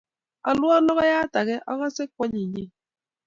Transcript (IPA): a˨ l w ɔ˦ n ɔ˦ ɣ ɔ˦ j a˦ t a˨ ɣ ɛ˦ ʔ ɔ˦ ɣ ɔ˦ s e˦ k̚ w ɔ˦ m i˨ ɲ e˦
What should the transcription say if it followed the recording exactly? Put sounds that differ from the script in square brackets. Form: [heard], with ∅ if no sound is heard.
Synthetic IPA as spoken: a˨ l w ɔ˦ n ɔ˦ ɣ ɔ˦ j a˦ t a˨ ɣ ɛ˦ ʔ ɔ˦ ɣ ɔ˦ s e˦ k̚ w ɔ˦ [ɲ] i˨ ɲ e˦